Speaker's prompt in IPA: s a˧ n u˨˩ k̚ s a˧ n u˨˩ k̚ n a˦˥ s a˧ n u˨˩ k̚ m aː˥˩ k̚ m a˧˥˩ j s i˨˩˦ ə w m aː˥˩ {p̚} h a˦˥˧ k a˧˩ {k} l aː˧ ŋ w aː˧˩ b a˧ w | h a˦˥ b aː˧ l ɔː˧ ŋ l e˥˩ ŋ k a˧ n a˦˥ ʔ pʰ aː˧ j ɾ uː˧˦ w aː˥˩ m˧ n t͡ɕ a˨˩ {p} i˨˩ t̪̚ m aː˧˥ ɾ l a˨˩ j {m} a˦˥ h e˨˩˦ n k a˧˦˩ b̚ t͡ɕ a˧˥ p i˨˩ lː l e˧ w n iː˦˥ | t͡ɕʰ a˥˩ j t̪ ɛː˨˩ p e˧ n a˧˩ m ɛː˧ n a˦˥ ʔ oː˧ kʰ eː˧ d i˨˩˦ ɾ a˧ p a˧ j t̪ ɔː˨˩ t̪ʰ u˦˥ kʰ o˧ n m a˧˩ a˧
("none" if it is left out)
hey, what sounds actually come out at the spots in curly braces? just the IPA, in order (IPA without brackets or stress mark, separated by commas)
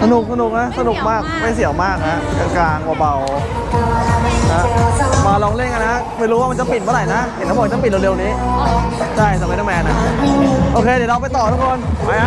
k̚, k, p, n